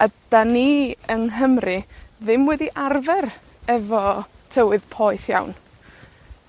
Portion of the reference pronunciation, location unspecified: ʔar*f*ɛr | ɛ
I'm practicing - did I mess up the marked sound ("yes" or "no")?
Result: yes